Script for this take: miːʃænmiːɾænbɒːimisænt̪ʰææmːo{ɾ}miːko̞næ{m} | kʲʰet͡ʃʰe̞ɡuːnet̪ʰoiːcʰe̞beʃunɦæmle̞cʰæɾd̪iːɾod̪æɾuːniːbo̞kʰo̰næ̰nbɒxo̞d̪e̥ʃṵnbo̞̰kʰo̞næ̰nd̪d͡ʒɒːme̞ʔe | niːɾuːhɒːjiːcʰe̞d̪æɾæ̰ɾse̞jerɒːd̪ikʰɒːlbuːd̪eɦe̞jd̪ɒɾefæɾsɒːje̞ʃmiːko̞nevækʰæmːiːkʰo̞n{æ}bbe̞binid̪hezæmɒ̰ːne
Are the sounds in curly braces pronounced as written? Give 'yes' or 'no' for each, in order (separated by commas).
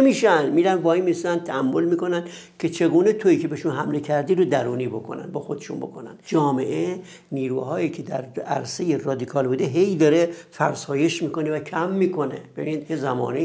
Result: no, no, no